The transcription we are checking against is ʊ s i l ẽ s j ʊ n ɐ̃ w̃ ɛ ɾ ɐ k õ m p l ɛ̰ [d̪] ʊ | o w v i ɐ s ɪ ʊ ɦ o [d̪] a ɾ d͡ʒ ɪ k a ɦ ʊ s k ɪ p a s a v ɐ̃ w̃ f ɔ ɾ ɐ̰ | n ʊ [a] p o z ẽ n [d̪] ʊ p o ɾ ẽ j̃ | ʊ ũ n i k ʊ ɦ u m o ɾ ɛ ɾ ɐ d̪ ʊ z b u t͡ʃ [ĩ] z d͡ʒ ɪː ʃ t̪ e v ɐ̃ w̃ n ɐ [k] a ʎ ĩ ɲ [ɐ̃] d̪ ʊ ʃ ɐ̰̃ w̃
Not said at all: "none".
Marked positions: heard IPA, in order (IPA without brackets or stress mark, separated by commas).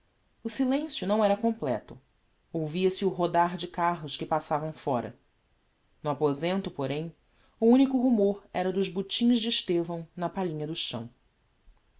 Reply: t̪, d̪, a, t̪, ĩ, p, ɐ